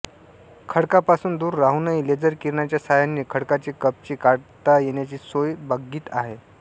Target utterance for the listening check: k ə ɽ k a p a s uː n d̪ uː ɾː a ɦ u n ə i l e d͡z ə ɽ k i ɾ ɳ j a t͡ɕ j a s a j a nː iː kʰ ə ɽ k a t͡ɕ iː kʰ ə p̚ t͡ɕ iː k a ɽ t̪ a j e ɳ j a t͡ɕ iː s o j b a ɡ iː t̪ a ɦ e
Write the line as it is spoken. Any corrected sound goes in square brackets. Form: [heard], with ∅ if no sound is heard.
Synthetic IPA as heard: [kʰ] ə ɽ k a p a s uː n d̪ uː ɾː a ɦ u n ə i l e d͡z ə [ɾ] k i ɾ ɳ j a t͡ɕ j a s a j a nː iː kʰ ə ɽ k a t͡ɕ iː [k] ə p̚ t͡ɕ iː k a ɽ t̪ a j e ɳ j a t͡ɕ iː s o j b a ɡ iː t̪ a ɦ e